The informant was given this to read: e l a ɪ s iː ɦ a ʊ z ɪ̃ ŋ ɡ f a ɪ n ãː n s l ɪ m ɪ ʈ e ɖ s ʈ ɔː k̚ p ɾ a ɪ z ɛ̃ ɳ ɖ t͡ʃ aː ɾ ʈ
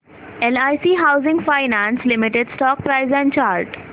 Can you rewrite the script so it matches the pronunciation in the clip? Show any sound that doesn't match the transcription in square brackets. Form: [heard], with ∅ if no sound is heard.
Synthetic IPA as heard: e l a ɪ s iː ɦ a ʊ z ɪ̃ ŋ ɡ f a ɪ n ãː n s l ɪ m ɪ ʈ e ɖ s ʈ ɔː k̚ p ɾ a ɪ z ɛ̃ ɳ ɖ t͡ʃ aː ɾ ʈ